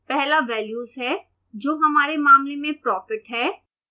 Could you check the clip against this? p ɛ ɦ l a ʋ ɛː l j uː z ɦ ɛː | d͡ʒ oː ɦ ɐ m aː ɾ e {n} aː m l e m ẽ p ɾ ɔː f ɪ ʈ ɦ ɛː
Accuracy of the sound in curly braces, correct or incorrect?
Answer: incorrect